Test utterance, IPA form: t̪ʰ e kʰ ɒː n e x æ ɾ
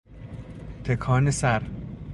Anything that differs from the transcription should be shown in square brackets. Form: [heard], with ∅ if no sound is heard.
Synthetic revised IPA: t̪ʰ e kʰ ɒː n e [s] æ ɾ